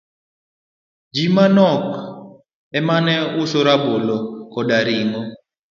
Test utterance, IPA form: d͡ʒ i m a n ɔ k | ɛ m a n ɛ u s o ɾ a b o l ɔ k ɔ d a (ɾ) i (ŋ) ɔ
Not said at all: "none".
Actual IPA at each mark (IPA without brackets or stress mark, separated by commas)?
ɾ, ŋ